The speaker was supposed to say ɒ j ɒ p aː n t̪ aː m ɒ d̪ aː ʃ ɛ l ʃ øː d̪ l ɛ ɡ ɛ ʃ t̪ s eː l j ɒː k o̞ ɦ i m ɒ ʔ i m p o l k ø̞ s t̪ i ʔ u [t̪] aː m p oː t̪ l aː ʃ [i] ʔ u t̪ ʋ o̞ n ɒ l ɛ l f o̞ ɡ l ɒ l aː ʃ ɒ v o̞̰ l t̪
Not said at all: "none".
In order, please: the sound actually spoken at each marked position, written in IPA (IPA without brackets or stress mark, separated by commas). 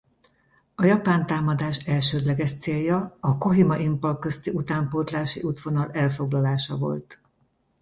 t̪, i